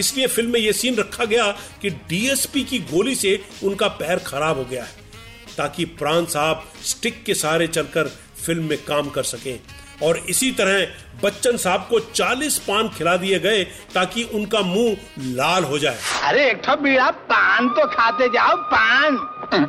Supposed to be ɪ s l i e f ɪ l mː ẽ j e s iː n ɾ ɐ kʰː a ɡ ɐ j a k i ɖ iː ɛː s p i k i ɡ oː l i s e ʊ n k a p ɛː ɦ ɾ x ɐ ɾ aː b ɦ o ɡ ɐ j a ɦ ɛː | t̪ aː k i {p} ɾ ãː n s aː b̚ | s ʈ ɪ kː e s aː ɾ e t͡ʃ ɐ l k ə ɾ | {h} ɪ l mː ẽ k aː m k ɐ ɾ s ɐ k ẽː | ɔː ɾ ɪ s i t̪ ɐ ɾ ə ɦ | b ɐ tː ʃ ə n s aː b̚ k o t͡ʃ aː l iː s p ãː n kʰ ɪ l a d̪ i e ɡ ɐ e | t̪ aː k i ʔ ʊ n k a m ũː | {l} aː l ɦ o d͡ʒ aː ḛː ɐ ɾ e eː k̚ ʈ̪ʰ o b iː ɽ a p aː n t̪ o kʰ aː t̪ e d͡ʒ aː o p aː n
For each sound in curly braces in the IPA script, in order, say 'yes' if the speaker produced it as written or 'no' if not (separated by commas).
yes, no, yes